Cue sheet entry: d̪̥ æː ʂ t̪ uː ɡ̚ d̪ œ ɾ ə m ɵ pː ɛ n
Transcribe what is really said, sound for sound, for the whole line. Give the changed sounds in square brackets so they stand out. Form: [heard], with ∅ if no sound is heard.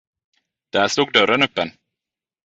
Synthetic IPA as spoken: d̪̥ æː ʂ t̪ uː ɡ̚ d̪ œ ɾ ə [n] ɵ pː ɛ n